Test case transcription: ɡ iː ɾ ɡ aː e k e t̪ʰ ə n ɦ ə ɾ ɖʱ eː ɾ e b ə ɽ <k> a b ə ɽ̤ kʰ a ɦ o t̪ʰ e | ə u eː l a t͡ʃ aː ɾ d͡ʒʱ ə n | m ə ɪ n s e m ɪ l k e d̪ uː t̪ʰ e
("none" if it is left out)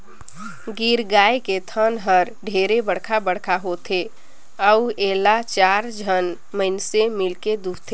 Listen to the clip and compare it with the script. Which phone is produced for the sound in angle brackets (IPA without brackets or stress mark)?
kʰ